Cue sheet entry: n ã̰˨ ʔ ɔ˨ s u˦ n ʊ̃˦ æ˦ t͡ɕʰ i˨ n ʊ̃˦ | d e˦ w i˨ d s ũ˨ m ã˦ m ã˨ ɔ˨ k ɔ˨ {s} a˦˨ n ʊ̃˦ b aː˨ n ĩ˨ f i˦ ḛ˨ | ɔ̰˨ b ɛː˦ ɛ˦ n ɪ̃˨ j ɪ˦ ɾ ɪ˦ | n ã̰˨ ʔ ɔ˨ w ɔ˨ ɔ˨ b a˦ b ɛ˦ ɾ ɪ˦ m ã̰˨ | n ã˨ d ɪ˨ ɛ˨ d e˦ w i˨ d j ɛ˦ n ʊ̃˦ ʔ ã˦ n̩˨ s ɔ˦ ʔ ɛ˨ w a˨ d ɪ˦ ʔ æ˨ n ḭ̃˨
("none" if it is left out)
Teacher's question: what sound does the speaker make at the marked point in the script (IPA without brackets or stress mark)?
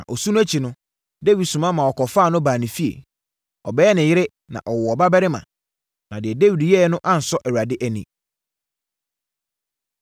f